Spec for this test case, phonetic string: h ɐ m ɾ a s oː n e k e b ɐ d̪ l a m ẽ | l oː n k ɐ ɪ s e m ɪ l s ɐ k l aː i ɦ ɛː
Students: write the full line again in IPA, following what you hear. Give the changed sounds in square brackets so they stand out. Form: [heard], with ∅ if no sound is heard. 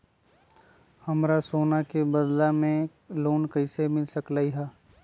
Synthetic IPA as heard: h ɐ m ɾ a s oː n [a] k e b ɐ d̪ l a m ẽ | l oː n k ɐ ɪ s e m ɪ l s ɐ k l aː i ɦ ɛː